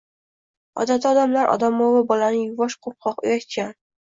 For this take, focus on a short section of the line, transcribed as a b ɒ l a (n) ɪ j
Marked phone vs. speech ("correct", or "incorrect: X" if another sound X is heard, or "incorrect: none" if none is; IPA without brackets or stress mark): correct